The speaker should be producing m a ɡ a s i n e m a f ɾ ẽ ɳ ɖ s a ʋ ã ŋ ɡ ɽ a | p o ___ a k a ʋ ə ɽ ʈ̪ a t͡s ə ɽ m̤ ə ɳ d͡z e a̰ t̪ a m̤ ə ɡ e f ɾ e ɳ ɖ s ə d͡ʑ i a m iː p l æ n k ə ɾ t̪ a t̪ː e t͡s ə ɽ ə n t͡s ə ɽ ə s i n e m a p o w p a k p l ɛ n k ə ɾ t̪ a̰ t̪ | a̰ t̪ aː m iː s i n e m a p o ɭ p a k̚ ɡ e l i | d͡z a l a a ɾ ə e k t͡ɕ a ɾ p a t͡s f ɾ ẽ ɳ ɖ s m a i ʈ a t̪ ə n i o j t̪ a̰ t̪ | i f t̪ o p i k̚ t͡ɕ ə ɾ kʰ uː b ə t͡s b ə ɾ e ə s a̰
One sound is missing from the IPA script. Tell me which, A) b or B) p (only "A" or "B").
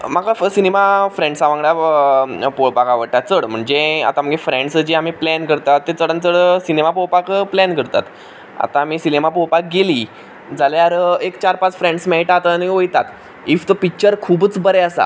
B